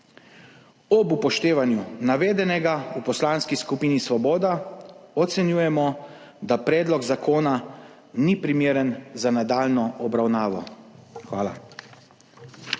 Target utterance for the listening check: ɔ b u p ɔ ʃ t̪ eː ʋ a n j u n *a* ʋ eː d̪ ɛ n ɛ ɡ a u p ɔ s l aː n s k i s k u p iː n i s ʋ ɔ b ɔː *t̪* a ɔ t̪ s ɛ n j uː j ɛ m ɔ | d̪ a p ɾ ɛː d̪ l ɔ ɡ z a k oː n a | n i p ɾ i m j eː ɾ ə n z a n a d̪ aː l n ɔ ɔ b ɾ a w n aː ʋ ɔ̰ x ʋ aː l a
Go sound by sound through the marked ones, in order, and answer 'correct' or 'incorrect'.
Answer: correct, incorrect: d̪

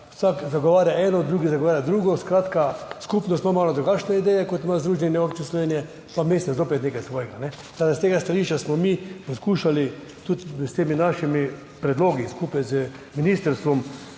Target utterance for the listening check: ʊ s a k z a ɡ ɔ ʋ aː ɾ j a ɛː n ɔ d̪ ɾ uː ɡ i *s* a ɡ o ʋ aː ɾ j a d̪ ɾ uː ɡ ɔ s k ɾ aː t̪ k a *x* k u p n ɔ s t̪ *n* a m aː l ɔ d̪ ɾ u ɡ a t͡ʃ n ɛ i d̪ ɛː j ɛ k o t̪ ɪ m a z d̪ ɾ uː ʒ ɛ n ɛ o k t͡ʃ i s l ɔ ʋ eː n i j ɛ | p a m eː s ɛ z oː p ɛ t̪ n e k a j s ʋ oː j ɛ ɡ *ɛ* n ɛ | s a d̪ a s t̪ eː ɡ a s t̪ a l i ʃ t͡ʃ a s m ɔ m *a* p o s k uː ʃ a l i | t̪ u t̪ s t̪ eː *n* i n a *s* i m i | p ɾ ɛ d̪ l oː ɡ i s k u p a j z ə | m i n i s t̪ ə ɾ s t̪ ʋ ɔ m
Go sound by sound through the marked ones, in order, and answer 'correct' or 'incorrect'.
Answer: incorrect: z, incorrect: s, incorrect: m, incorrect: a, incorrect: i, incorrect: m, incorrect: ʃ

